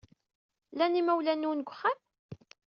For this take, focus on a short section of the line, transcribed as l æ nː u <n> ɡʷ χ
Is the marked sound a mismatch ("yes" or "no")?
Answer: no